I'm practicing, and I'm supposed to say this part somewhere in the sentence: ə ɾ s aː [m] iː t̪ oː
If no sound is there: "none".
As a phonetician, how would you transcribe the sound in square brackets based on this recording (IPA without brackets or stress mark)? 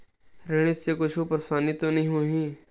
n